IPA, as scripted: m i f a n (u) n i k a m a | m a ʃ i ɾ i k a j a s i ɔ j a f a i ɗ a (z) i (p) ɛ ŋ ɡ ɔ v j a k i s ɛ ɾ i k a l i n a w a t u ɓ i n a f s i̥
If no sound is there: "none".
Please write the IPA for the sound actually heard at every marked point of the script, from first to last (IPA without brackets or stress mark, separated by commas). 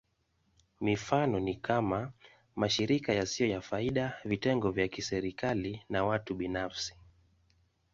ɔ, v, t